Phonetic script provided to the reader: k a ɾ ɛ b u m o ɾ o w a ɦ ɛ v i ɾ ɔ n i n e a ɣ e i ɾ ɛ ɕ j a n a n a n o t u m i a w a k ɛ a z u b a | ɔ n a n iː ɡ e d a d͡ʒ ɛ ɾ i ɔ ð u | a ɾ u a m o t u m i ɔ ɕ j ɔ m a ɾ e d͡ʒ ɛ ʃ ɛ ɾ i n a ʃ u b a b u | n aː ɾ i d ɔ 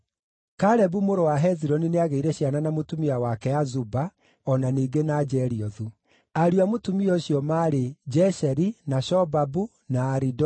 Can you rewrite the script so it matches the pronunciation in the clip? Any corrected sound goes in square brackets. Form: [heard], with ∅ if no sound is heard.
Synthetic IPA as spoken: k a ɾ ɛ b u m o ɾ o w a ɦ ɛ [z] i ɾ ɔ n i n e a ɣ e i ɾ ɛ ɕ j a n a n a [m] o t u m i a w a k ɛ a z u b a | ɔ n a n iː ɡ e [n] a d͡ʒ ɛ ɾ i ɔ ð u | a ɾ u a m o t u m i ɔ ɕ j ɔ m a ɾ e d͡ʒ ɛ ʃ ɛ ɾ i n a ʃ [ɔ] b a b u | n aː ɾ i d ɔ